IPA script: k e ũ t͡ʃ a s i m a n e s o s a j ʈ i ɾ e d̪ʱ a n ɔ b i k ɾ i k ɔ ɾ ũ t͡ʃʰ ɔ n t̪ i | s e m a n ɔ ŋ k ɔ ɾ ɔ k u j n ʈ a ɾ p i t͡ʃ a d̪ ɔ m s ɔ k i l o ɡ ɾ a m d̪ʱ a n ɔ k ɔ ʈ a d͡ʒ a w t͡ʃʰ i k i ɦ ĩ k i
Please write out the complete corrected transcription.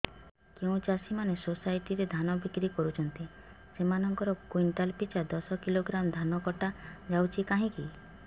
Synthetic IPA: k e ũ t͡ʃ a s i m a n e s o s a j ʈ i ɾ e d̪ʱ a n ɔ b i k ɾ i k ɔ ɾ u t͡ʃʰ ɔ n t̪ i | s e m a n ɔ ŋ k ɔ ɾ ɔ k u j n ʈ a l p i t͡ʃ a d̪ ɔ s ɔ k i l o ɡ ɾ a m d̪ʱ a n ɔ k ɔ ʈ a d͡ʒ a w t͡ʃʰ i k a ɦ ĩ k i